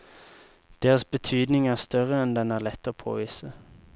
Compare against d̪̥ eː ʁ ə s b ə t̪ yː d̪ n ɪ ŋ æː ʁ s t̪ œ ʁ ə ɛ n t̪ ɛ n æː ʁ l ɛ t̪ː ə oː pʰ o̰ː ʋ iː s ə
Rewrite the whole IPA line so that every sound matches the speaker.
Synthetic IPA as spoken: d̪̥ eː ʁ ə s b ə t̪ʰ yː d̪ n ɪ ŋ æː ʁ s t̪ œ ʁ ə ɛ n d̪ ɛ n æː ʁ l ɛ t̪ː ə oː pʰ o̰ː ʋ iː s ə